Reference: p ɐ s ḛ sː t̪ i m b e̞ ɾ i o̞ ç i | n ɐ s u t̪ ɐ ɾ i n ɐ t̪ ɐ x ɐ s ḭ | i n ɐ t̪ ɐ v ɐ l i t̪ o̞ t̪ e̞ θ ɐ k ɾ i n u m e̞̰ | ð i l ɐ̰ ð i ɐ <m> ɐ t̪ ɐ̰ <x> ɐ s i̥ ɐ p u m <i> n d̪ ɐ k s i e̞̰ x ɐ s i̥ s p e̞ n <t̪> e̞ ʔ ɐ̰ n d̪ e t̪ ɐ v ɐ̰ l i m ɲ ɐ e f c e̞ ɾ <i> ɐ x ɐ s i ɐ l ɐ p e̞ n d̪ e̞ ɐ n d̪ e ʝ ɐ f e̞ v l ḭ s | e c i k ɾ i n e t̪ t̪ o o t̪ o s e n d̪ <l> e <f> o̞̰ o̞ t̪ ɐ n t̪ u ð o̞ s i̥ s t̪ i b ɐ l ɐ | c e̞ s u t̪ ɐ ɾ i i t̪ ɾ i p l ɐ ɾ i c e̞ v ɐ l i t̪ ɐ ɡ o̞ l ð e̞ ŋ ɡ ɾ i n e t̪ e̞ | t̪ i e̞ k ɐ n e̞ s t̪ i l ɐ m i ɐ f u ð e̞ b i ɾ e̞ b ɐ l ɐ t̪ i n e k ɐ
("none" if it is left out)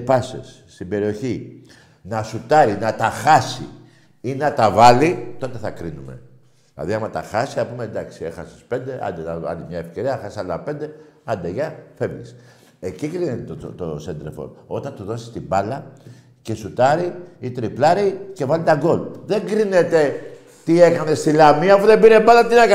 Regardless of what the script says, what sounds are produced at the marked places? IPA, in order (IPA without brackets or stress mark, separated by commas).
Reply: m, x, e, d̪, i, ɾ, f